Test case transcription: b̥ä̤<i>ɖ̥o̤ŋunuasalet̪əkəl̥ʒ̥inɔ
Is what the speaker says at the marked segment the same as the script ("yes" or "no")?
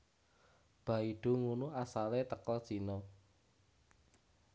yes